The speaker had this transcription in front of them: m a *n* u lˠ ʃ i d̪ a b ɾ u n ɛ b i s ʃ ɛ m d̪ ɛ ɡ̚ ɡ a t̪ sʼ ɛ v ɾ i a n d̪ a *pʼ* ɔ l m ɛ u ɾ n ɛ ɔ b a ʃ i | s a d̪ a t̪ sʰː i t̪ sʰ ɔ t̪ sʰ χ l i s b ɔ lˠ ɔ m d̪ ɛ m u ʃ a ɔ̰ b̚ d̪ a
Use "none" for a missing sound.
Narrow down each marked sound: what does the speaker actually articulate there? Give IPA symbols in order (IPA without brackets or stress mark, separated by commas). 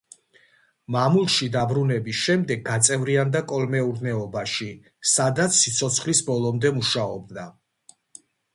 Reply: m, kʼ